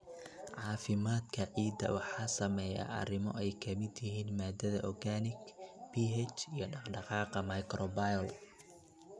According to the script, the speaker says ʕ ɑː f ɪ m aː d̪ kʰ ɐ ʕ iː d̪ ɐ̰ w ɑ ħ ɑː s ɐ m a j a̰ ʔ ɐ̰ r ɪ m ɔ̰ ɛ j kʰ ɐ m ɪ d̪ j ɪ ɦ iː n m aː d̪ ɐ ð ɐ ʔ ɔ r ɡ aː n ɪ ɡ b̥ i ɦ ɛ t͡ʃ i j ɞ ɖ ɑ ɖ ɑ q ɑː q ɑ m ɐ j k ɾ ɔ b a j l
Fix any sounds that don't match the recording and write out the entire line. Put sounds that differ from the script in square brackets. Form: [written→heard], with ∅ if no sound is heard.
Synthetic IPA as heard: ʕ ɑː f ɪ m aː d̪ kʰ ɐ ʕ iː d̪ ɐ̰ w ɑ ħ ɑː s ɐ m [a→ɛ] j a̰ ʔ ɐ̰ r ɪ m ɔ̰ ɛ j kʰ ɐ m ɪ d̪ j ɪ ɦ iː n m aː d̪ ɐ ð ɐ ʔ ɔ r ɡ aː n ɪ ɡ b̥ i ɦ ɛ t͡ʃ i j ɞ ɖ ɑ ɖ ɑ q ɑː q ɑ m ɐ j k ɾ ɔ b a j l